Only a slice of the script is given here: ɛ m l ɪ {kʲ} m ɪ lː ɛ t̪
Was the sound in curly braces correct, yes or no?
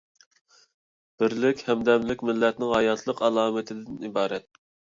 yes